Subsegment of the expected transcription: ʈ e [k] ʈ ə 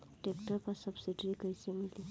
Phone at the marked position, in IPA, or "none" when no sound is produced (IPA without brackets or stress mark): k